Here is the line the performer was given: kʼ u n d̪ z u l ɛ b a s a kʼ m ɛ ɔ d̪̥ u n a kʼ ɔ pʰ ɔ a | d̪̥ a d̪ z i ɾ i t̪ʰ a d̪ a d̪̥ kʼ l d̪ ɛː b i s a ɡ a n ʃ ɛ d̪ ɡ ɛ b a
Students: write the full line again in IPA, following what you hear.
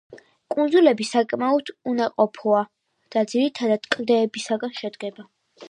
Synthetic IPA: kʼ u n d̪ z u l ɛ b i s a kʼ m a ɔ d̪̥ u n a qʼ ɔ pʰ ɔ a | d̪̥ a d̪ z i ɾ i t̪ʰ a d̪ a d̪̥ kʼ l d̪ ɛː b i s a ɡ a n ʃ ɛ d̪ ɡ ɛ b a